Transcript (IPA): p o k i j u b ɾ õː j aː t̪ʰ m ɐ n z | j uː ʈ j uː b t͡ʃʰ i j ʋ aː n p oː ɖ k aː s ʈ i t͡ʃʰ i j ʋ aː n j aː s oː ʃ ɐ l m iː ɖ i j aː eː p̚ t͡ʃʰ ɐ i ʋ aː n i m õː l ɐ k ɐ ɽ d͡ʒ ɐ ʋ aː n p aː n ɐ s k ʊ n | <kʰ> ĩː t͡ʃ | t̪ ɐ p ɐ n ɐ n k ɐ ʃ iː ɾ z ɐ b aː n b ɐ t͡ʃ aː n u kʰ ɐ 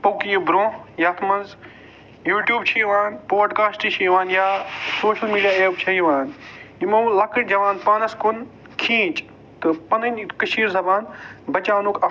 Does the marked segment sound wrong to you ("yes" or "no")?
no